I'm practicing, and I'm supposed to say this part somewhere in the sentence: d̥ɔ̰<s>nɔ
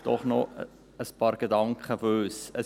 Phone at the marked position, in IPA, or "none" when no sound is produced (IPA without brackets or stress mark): χ